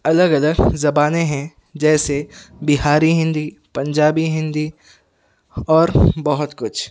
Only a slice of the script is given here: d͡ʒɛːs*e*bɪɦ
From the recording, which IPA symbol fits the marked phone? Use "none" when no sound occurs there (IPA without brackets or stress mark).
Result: e